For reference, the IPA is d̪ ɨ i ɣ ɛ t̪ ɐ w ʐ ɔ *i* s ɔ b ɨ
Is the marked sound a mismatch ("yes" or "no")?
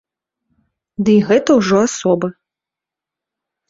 yes